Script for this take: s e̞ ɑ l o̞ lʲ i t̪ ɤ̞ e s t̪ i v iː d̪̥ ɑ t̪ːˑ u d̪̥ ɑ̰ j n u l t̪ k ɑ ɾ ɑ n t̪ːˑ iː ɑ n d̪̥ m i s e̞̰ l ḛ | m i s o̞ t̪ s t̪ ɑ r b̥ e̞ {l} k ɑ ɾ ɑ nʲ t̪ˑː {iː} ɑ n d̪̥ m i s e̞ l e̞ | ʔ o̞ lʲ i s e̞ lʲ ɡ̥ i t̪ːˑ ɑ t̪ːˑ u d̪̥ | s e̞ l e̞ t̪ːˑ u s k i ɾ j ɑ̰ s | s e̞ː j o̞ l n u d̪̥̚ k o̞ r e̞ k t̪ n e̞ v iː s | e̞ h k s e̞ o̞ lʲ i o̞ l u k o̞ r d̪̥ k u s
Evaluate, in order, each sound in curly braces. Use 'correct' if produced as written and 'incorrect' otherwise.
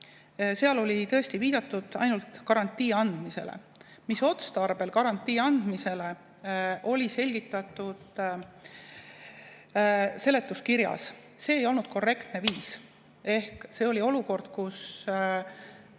correct, correct

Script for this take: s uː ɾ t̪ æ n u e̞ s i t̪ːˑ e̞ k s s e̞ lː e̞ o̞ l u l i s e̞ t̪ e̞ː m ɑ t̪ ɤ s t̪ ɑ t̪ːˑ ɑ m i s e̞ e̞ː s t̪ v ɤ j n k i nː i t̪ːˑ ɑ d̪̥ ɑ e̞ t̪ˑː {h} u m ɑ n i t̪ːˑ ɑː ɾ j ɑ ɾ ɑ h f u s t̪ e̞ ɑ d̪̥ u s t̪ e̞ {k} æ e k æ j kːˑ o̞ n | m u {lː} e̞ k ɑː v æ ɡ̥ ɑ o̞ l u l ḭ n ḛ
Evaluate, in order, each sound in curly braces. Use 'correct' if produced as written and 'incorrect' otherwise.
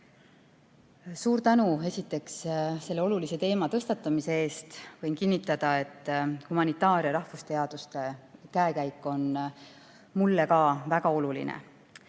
correct, correct, correct

